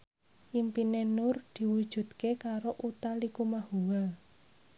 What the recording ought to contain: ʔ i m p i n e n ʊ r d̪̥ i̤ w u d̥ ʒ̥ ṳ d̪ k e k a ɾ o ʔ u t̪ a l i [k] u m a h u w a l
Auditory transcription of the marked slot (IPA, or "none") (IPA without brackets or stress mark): k